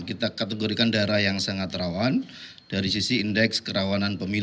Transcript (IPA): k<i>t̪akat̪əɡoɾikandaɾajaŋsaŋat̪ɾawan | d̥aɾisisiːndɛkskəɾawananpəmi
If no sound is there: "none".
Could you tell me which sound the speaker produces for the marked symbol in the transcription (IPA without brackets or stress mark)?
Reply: i